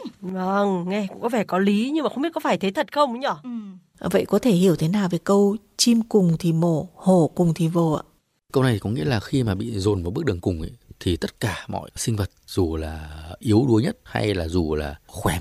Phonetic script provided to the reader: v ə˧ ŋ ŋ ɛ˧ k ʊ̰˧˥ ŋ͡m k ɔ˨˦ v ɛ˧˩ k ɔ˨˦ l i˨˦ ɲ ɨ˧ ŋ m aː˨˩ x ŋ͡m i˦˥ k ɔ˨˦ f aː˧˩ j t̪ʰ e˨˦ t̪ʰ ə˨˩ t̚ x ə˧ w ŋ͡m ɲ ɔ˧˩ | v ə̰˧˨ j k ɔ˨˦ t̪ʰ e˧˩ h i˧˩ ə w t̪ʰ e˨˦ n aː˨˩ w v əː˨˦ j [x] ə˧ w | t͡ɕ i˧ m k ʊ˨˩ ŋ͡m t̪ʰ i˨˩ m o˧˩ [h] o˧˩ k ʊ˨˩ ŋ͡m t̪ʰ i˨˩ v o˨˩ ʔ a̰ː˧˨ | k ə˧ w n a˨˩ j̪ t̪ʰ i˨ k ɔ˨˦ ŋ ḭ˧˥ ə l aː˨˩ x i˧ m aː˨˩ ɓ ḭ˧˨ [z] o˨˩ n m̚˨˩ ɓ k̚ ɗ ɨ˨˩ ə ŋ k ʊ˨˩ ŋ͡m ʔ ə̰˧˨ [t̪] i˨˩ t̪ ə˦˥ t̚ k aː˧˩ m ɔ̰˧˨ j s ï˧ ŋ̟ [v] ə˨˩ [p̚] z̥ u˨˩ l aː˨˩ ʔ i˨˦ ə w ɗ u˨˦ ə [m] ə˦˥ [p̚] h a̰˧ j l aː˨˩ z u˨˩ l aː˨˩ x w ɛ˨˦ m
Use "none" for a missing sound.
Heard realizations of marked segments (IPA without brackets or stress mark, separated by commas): k, h, z, t̪ʰ, v, t̚, ɲ, t̚